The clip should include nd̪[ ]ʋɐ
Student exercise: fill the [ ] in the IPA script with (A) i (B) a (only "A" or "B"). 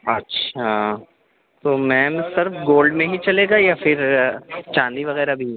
A